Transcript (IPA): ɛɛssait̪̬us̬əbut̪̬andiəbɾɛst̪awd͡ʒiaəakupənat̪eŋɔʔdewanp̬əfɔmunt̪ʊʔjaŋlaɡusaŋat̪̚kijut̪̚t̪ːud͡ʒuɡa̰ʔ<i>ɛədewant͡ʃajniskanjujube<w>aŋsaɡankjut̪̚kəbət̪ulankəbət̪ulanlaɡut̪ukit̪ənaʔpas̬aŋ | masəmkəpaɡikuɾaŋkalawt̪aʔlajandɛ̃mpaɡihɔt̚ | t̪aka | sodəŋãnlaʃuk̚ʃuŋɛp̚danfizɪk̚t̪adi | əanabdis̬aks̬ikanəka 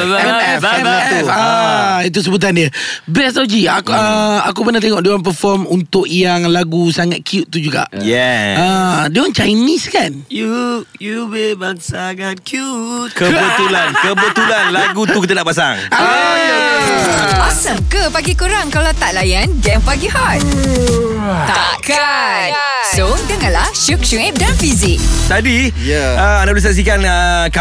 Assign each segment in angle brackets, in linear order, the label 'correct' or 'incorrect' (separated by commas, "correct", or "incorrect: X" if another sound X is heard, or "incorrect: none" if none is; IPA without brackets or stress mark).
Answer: incorrect: j, incorrect: b